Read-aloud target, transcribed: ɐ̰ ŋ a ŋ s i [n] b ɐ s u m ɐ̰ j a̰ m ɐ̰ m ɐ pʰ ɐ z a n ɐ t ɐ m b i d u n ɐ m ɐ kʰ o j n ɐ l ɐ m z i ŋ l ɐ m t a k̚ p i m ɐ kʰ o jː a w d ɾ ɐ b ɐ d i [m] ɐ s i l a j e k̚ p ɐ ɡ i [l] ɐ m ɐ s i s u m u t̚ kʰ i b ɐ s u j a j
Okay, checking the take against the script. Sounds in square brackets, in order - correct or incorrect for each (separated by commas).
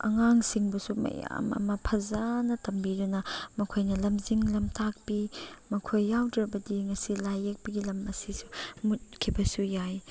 incorrect, incorrect, correct